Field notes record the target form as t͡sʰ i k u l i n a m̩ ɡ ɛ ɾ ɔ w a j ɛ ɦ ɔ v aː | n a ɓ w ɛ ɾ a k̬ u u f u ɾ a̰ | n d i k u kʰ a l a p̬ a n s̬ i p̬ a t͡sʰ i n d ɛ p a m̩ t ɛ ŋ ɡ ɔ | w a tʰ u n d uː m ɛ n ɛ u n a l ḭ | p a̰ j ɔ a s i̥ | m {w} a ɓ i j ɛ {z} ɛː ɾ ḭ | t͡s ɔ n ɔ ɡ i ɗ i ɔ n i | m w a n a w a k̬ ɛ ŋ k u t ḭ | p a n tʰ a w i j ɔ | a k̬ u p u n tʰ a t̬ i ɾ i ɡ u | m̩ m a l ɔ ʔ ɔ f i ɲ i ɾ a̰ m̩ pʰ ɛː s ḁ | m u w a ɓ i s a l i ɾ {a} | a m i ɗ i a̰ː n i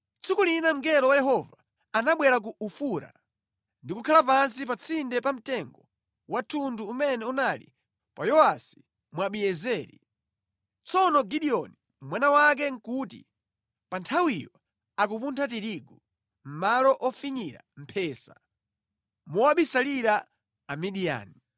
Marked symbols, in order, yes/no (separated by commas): yes, yes, yes